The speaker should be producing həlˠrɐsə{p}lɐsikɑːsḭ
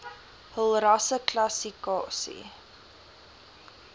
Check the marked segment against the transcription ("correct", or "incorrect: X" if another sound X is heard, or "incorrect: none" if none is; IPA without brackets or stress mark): incorrect: k